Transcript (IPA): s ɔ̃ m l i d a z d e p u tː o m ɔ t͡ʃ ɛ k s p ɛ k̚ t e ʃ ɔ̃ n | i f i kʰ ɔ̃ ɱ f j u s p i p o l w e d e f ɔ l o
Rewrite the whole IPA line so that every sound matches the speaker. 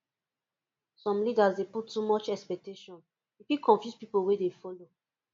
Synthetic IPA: s ɔ̃ m l i d a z d e p u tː u m ɔ t͡ʃ ɛ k s p ɛ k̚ t e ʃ ɔ̃ n | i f i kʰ ɔ̃ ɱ f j u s p i p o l w e d e f ɔ l o